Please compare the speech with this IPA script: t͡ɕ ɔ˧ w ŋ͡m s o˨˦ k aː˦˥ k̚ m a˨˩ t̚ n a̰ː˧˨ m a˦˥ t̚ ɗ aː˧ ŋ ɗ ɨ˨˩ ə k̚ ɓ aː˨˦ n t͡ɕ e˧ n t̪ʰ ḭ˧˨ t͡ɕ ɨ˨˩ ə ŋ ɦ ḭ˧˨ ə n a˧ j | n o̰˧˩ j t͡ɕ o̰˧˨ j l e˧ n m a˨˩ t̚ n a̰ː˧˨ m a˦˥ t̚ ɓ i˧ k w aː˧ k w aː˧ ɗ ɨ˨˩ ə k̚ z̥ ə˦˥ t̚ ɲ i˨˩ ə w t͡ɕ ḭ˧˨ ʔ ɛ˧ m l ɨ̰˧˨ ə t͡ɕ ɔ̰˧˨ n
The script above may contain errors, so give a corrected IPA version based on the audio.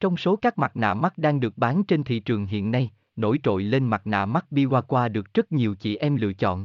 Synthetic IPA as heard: t͡ɕ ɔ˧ w ŋ͡m s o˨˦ k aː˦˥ k̚ m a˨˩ t̚ n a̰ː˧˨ m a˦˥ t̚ ɗ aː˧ ŋ ɗ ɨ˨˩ ə k̚ ɓ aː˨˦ n t͡ɕ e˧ n t̪ʰ ḭ˧˨ t͡ɕ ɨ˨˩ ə ŋ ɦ ḭ˧˨ ə nː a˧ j | n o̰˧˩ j t͡ɕ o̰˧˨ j l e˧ n m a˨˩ t̚ n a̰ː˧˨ m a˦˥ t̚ ɓ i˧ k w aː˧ k w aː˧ ɗ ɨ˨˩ ə k̚ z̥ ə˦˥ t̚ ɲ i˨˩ ə w t͡ɕ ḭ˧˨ ʔ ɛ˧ m l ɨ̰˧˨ ə t͡ɕ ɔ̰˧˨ n